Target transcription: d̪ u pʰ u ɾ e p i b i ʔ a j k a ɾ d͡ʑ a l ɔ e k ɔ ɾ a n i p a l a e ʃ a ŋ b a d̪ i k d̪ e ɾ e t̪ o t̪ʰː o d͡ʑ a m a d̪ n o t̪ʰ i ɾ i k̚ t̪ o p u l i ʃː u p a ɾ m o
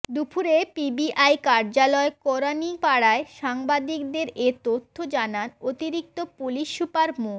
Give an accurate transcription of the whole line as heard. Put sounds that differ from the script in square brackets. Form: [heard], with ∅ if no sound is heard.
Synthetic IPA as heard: d̪ u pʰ u ɾ e p i b i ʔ a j k a ɾ d͡ʑ a l ɔ e k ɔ ɾ a n i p a [ɽ] a e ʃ a ŋ b a d̪ i k d̪ e ɾ e t̪ o t̪ʰː o d͡ʑ a [n] a [∅] n o [t̪] i ɾ i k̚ t̪ o p u l i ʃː u p a ɾ m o